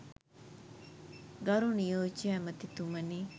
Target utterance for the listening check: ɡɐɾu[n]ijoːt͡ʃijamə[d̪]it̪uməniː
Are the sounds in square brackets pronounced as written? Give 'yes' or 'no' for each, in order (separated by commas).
yes, no